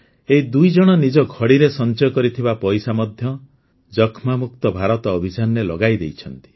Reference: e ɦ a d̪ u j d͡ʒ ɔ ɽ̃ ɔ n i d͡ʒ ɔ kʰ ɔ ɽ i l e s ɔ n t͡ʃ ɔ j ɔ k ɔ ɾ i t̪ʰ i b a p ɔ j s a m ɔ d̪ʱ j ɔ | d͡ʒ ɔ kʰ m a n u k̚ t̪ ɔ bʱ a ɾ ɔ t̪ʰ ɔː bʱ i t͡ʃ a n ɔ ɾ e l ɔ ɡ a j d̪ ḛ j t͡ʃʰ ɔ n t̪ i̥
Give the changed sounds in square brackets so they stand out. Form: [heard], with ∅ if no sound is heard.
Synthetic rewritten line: e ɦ [i] d̪ u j d͡ʒ ɔ ɽ̃ ɔ n i d͡ʒ ɔ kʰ ɔ ɽ i [ɾ] e s ɔ n t͡ʃ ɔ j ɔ k ɔ ɾ i t̪ʰ i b a p ɔ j s a m ɔ d̪ʱ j ɔ | d͡ʒ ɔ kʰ m a [m] u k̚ t̪ ɔ bʱ a ɾ ɔ [t̪] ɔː bʱ i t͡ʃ a n ɔ ɾ e l ɔ ɡ a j d̪ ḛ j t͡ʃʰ ɔ n t̪ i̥

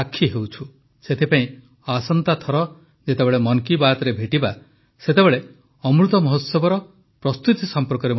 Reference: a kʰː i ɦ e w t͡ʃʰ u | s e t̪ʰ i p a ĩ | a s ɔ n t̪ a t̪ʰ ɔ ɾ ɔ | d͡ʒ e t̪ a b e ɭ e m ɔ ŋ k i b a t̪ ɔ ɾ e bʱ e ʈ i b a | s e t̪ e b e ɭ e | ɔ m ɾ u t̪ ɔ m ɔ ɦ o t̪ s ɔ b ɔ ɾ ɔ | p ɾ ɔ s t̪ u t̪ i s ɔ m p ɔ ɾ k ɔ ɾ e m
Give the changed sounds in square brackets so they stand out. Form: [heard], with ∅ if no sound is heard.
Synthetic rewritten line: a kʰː i ɦ e w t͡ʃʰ u | s e t̪ʰ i p a ĩ | a s ɔ n t̪ a t̪ʰ ɔ ɾ ɔ | d͡ʒ e t̪ [e] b e ɭ e m ɔ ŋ k i b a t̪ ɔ ɾ e bʱ e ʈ i b a | s e t̪ e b e ɭ e | ɔ m ɾ u t̪ ɔ m ɔ ɦ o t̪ s ɔ b ɔ ɾ ɔ | p ɾ ɔ s t̪ u t̪ i s ɔ m p ɔ ɾ k ɔ ɾ e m

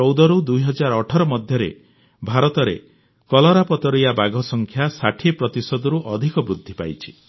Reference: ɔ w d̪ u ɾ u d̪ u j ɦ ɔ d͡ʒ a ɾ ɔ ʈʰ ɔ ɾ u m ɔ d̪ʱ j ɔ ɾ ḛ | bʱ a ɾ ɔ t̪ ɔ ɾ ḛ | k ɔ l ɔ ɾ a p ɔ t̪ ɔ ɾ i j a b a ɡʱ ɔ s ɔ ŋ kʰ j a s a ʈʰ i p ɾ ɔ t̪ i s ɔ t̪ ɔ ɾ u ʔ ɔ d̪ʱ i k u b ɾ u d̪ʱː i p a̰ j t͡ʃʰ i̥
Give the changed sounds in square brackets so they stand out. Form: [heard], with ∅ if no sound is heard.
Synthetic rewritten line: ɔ w d̪ [ɔ] ɾ u d̪ u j ɦ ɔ d͡ʒ a ɾ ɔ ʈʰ ɔ ɾ [ɔ] m ɔ d̪ʱ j ɔ ɾ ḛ | bʱ a ɾ ɔ t̪ ɔ ɾ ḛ | k ɔ l ɔ ɾ a p ɔ t̪ ɔ ɾ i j a b a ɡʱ ɔ s ɔ ŋ kʰ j a s a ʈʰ i p ɾ ɔ t̪ i s ɔ [d̪] ɔ ɾ u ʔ ɔ d̪ʱ i k [ɔ] b ɾ u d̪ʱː i p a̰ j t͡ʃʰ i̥

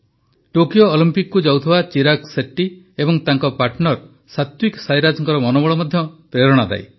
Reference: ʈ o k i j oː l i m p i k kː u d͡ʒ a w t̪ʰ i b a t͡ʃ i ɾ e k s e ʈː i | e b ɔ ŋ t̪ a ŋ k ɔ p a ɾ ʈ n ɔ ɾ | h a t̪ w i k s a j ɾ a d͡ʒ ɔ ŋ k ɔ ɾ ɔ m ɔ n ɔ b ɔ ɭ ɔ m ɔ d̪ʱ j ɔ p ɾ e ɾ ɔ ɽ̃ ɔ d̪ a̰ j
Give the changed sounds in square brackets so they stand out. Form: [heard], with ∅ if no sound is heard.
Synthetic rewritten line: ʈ o k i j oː l i m p i k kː u d͡ʒ a w t̪ʰ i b a t͡ʃ i ɾ [a] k s e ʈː i | e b ɔ ŋ t̪ a ŋ k ɔ p a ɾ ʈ n ɔ ɾ | [s] a t̪ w i k s a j ɾ a d͡ʒ ɔ ŋ k ɔ ɾ ɔ m ɔ n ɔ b ɔ ɭ ɔ m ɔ d̪ʱ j ɔ p ɾ e ɾ ɔ ɽ̃ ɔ d̪ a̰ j

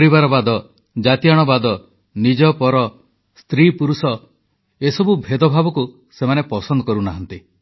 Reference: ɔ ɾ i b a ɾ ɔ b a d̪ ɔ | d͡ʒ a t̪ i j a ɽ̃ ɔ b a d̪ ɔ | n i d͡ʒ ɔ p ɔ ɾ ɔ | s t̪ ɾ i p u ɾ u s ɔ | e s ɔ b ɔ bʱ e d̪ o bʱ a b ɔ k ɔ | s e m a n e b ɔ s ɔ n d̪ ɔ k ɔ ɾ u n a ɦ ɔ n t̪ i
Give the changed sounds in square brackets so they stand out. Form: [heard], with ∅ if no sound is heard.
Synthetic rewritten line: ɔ ɾ i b a ɾ ɔ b a d̪ ɔ | d͡ʒ a t̪ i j a ɽ̃ ɔ b a d̪ ɔ | n i d͡ʒ ɔ p ɔ ɾ ɔ | s t̪ ɾ i p u ɾ u s ɔ | e s ɔ b [u] bʱ e d̪ [ɔ] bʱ a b ɔ k [u] | s e m a n e [p] ɔ s ɔ n d̪ ɔ k ɔ ɾ u n a ɦ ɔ n t̪ i

